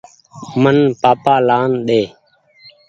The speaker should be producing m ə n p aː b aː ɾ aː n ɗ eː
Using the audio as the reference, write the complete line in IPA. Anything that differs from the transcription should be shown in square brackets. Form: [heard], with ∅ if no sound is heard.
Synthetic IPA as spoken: m ə n p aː [p] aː [l] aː n ɗ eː